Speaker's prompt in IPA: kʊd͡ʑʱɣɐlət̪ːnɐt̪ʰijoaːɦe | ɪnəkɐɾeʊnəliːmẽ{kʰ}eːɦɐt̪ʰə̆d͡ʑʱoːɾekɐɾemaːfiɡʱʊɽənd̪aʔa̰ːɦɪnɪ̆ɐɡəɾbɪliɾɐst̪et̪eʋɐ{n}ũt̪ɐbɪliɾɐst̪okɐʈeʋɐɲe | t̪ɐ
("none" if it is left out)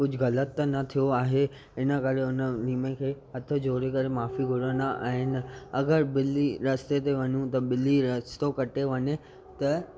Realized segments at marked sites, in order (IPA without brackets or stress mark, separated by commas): kʰ, ɲ